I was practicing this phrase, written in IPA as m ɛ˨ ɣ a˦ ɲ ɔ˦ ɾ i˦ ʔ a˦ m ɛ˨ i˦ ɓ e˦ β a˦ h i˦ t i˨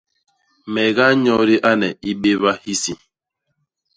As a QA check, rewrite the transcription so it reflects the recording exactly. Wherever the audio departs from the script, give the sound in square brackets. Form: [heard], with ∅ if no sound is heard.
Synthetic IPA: m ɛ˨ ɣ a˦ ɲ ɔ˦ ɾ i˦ ʔ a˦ [n] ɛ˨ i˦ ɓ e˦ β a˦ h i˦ [s] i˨